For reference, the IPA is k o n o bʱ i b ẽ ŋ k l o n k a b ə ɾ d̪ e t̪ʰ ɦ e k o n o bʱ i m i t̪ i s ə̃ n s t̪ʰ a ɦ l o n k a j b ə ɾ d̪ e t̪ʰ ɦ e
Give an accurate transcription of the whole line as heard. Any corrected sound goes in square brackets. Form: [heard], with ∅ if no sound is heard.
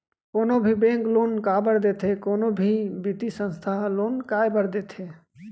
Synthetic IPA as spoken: k o n o bʱ i b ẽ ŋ k l o n k a b ə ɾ d̪ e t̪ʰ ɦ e k o n o bʱ i [b] i t̪ i s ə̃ n s t̪ʰ a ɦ l o n k a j b ə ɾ d̪ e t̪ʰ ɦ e